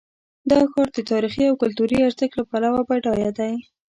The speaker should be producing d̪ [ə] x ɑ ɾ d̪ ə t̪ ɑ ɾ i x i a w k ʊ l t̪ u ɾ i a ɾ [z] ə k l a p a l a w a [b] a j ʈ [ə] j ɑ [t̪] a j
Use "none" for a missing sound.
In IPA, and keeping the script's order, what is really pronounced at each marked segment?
ɑ, z, b, ɑ, d̪

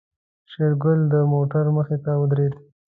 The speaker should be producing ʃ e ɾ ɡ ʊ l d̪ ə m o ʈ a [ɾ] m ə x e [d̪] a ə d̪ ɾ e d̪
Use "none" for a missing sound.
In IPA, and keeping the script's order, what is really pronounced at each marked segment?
ɾ, t̪

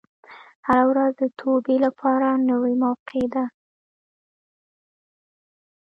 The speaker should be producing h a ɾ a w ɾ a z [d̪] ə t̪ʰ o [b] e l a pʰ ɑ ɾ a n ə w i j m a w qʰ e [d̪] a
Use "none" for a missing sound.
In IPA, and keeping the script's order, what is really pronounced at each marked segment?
d̪, b, d̪

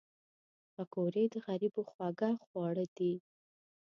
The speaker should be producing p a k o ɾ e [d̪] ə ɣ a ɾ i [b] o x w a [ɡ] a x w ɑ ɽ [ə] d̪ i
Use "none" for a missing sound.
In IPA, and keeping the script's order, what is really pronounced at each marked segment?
d̪, b, ɡ, ə

